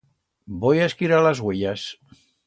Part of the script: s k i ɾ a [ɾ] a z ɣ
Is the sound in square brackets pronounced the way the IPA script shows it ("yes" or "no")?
no